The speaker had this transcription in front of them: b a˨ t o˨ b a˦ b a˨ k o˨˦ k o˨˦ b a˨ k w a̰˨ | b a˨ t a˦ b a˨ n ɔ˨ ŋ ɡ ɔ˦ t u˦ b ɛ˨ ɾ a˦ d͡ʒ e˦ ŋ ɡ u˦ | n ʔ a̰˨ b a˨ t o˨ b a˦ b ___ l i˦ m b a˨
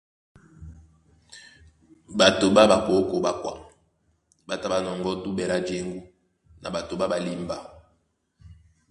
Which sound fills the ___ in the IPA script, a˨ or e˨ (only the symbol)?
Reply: a˨